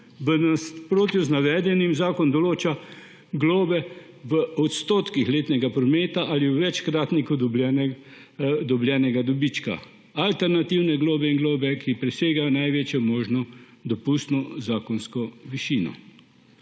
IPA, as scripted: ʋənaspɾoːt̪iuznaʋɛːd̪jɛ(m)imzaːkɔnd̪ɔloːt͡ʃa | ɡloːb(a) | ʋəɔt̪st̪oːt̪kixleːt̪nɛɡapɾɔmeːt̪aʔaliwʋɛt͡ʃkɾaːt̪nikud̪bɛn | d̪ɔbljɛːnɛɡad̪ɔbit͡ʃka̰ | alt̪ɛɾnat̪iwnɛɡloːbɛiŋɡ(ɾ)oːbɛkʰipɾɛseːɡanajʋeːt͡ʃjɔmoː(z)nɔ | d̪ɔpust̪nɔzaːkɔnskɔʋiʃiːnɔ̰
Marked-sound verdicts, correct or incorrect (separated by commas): incorrect, incorrect, incorrect, incorrect